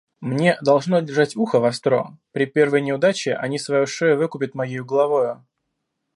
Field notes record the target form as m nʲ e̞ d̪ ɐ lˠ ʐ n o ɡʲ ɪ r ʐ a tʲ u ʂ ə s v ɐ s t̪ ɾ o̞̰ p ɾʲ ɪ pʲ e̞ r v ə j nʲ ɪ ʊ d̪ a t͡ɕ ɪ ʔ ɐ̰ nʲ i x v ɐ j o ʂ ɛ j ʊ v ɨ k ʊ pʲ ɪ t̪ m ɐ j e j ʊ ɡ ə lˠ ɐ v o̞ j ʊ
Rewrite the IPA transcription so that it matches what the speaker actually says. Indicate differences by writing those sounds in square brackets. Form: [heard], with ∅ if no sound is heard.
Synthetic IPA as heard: m nʲ e̞ d̪ ɐ lˠ ʐ n o [dʲ] ɪ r ʐ a tʲ u [x] ə [∅] v ɐ s t̪ ɾ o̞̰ p ɾʲ ɪ pʲ e̞ r v ə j nʲ ɪ ʊ d̪ a t͡ɕ ɪ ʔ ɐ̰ nʲ i [s] v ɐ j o ʂ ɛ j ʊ v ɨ k ʊ pʲ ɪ t̪ m ɐ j e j ʊ ɡ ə lˠ ɐ v o̞ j ʊ